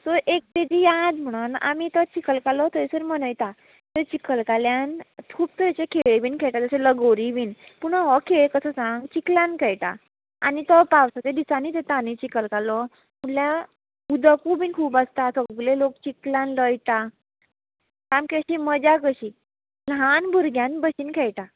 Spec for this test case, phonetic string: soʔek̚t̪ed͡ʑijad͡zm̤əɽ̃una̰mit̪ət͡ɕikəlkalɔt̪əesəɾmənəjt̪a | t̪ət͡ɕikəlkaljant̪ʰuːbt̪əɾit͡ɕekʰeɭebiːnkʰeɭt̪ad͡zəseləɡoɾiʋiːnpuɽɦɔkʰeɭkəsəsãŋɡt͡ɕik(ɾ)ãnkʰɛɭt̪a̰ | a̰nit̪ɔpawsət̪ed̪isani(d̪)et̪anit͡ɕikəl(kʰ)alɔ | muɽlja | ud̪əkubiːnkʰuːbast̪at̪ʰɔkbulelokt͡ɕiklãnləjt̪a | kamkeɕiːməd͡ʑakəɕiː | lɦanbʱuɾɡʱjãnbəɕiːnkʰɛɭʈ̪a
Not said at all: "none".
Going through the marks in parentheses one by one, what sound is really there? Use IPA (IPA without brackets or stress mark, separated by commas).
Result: l, t̪, k